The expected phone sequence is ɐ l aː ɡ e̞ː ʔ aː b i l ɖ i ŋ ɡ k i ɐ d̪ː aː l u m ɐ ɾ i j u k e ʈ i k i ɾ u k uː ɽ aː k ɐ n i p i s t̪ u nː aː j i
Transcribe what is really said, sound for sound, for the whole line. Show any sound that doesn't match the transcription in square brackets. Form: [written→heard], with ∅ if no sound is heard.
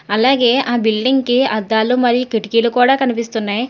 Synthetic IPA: ɐ l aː ɡ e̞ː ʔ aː b i l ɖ i ŋ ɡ k i ɐ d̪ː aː l u m ɐ ɾ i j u k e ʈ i k i [ɾ→l] u k uː ɽ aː k ɐ n i p i s t̪ u nː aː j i